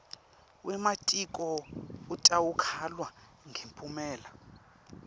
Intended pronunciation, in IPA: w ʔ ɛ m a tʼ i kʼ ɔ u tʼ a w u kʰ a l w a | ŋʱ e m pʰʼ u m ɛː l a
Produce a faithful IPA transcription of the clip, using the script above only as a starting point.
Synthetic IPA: w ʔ ɛ m a tʼ i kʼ ɔ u tʼ a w u kʰ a l w a | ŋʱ e m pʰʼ u m ɛː l a

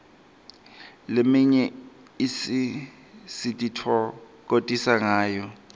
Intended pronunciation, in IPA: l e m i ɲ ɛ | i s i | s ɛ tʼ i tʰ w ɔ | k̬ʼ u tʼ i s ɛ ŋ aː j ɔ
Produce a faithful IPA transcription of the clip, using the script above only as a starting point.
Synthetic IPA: l e m i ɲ ɛ | i s i | s i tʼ i tʰ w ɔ | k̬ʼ o tʼ i s a ŋ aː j ɔ

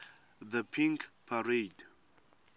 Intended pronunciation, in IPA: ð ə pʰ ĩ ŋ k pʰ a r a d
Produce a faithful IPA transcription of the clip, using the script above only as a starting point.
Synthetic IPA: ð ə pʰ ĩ ŋ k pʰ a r e d

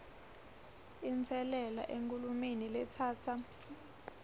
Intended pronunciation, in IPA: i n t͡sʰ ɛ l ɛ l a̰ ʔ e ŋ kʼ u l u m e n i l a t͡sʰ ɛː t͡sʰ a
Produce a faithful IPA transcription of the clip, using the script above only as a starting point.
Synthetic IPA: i n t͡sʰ ɛ l ɛ l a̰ ʔ e ŋ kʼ u l u m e n i l ɛ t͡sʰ aː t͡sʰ a

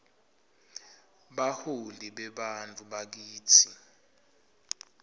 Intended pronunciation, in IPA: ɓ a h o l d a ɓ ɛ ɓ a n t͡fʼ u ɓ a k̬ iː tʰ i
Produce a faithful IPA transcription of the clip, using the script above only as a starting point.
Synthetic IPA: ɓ a h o l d i ɓ ɛ ɓ a n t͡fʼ u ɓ a k̬ iː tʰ i

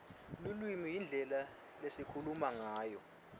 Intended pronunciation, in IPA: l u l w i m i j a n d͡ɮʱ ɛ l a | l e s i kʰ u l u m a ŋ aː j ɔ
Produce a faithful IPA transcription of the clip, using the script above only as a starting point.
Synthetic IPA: l u l w i m i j i n d͡ɮʱ ɛ l a | l e s i kʰ u l u m a ŋ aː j ɔ

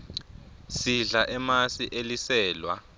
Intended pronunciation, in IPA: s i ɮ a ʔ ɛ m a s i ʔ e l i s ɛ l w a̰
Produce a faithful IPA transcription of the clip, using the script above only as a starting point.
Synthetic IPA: s i ɮ a ʔ ɛ m a s i ʔ e l i s ɛː l w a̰

